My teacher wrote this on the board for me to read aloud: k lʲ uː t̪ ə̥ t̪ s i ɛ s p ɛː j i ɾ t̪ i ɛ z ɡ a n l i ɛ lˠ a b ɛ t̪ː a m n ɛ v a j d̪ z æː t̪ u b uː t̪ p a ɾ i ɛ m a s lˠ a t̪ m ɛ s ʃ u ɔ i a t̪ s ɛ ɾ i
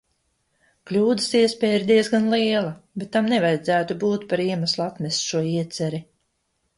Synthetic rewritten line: k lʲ uː d̪ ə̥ s i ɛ s p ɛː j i ɾ d̪ i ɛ z ɡ a n l i ɛ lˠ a b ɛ t̪ː a m n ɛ v a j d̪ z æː t̪ u b uː t̪ p a ɾ i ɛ m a s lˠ a t̪ m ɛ s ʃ u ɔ i ɛ t̪ s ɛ ɾ i